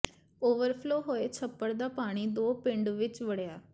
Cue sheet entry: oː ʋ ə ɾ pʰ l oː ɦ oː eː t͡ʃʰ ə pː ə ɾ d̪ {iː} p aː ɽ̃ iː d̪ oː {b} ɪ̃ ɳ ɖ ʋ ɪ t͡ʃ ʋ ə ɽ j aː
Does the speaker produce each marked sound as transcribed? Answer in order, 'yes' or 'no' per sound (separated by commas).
no, no